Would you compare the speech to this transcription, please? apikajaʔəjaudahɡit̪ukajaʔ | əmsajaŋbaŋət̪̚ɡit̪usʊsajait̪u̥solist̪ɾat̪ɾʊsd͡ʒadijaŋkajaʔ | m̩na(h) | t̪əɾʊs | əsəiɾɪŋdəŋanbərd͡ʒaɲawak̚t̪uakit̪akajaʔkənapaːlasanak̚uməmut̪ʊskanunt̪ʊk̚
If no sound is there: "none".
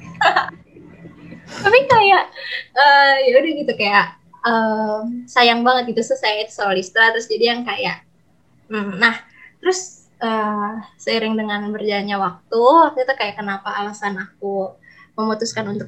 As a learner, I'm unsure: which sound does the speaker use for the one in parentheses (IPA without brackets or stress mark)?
h